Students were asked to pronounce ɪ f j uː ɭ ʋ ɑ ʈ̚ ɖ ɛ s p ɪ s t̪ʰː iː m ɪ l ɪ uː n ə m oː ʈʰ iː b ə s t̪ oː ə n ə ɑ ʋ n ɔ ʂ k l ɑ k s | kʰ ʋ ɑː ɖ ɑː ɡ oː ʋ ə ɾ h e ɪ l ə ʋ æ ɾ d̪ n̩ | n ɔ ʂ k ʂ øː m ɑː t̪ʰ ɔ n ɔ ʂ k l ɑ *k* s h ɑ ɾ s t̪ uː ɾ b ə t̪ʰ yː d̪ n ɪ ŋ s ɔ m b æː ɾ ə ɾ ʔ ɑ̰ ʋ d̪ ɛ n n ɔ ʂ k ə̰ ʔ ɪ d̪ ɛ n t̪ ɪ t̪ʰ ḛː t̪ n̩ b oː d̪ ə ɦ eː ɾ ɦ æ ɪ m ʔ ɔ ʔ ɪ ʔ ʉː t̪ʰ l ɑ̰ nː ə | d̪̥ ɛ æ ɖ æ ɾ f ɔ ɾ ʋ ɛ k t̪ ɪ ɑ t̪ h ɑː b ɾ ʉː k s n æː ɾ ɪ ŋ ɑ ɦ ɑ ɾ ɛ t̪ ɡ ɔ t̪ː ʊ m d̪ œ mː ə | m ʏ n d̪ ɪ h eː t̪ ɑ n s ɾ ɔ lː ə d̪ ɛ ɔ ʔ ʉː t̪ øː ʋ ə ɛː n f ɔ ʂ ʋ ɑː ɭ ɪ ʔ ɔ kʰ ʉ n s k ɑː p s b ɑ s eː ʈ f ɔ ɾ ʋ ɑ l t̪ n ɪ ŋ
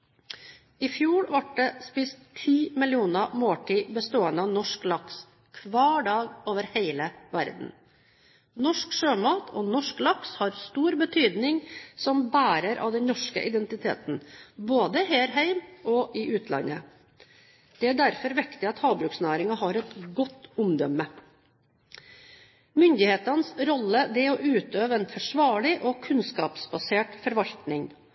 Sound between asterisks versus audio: correct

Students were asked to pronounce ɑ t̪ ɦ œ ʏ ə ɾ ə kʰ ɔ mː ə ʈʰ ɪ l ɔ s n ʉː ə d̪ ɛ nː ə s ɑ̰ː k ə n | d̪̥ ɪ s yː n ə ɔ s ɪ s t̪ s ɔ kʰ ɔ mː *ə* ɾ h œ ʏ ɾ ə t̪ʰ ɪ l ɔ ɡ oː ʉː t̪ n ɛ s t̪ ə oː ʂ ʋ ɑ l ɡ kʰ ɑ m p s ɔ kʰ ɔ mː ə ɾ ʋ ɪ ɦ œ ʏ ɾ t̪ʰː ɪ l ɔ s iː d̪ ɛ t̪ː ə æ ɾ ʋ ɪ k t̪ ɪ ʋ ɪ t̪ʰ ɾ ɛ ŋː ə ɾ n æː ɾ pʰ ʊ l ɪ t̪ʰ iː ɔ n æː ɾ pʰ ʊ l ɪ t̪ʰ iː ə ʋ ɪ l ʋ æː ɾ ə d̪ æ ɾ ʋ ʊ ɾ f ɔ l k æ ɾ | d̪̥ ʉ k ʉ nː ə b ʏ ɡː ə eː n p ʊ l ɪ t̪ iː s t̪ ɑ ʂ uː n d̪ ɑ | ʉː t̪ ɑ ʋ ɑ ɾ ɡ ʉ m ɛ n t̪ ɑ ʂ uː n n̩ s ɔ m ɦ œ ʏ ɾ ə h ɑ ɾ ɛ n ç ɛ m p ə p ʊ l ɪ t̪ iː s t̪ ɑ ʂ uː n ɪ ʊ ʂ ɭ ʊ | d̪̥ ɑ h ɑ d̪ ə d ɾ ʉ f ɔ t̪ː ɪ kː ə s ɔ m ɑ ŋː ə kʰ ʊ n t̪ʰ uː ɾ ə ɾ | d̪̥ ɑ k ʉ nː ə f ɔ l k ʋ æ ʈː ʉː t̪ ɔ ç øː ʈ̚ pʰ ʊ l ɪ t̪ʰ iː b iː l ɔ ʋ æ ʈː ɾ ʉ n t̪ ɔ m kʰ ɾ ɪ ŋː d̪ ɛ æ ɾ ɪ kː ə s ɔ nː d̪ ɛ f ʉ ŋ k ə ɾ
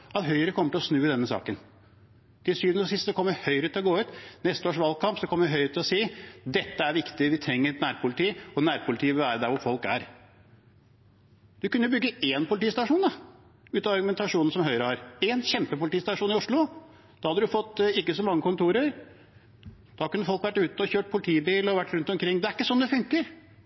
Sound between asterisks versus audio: correct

